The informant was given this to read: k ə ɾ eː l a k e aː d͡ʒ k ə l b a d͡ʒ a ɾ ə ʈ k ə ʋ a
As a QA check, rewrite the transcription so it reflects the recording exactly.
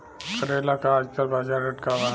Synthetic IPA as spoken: k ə ɾ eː l a k a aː d͡ʒ k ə l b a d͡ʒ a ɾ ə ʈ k a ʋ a